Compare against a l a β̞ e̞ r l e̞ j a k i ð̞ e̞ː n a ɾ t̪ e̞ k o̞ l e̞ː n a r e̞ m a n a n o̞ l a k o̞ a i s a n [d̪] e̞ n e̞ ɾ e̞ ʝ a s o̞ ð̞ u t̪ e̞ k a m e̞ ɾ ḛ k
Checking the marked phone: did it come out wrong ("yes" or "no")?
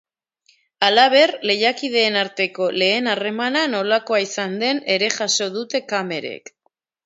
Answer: no